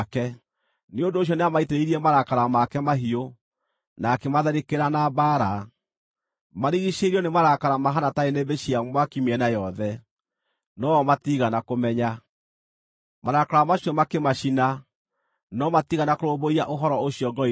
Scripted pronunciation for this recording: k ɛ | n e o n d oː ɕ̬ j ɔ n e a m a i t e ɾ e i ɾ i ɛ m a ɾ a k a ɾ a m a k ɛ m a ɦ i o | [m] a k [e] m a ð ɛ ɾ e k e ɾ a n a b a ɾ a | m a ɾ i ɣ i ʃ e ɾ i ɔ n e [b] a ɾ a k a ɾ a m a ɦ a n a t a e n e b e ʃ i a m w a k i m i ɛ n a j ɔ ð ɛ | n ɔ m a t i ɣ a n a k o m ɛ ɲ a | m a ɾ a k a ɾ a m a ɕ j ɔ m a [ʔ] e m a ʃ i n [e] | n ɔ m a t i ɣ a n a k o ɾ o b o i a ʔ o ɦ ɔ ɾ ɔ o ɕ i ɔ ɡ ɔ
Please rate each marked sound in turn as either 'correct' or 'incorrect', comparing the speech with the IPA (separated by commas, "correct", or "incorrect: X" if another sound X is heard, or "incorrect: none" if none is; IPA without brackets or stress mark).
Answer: incorrect: n, correct, incorrect: m, incorrect: k, incorrect: a